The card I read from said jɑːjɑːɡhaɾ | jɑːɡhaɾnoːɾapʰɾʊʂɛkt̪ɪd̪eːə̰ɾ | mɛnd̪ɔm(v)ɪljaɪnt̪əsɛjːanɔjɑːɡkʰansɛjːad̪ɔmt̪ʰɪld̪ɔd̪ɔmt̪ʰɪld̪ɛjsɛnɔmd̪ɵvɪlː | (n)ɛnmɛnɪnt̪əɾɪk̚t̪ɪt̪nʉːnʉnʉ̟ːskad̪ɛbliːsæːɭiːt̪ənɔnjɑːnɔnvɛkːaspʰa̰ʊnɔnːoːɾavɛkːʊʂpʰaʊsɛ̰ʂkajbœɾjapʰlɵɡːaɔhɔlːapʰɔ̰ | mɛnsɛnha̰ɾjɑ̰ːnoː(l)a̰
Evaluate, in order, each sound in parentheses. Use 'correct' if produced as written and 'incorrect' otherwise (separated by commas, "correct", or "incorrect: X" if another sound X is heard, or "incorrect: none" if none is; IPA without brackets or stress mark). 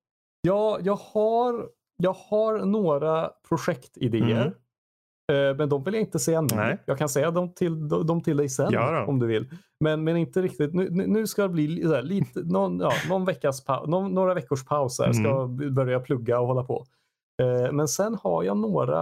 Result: correct, incorrect: m, incorrect: ɾ